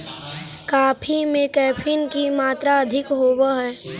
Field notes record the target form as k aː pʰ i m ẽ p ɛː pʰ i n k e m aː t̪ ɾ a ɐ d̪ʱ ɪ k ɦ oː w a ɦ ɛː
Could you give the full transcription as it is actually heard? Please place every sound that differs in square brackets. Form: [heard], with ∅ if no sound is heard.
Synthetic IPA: k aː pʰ i m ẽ [k] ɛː pʰ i n k [i] m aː t̪ ɾ a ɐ d̪ʱ ɪ k ɦ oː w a ɦ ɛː